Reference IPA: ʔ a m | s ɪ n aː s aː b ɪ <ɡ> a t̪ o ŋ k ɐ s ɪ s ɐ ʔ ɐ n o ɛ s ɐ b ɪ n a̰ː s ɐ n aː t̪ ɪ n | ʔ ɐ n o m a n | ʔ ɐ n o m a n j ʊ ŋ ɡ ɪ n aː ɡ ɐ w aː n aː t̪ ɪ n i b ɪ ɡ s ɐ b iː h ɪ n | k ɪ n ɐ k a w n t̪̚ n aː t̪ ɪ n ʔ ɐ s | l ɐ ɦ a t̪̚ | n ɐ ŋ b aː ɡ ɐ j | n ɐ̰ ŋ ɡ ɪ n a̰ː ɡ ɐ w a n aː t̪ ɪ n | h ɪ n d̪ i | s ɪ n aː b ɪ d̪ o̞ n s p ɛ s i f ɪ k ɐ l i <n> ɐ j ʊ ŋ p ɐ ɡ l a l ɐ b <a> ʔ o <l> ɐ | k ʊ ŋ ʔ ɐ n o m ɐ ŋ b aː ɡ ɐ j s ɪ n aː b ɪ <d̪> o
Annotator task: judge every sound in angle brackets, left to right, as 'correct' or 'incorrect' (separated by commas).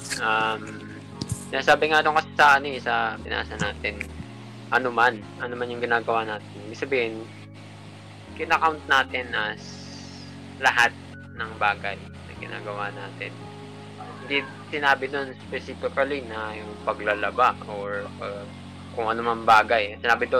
incorrect, correct, correct, incorrect, correct